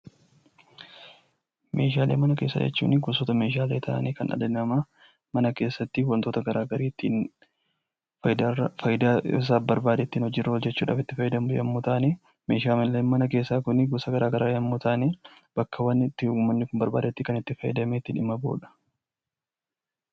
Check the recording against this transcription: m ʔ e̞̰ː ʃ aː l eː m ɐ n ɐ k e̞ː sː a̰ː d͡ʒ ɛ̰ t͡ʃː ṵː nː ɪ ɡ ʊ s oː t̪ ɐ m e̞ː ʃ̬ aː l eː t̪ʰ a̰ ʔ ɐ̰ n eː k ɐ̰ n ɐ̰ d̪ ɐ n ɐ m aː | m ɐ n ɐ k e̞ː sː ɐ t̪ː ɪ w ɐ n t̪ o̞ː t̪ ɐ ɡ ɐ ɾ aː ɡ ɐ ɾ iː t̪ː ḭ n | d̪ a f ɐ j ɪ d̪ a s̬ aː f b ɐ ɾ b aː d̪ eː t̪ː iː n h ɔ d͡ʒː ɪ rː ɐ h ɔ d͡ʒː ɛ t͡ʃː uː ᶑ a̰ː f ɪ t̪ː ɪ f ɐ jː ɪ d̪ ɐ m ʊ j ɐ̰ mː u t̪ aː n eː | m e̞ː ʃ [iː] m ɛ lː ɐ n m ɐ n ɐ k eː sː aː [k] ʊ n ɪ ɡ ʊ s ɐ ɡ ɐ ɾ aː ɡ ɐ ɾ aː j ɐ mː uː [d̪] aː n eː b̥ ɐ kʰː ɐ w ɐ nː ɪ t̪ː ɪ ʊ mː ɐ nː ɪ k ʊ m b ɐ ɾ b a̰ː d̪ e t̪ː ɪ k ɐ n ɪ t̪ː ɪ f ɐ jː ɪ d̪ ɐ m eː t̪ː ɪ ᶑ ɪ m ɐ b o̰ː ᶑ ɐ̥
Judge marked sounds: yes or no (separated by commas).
no, yes, no